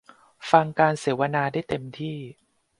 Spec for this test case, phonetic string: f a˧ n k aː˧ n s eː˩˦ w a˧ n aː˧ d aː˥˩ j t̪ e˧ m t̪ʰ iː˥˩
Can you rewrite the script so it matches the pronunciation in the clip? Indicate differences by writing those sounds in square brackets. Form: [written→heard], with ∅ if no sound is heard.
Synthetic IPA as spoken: f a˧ [n→ŋ] k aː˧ n s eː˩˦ w a˧ n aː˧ d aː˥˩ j t̪ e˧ m t̪ʰ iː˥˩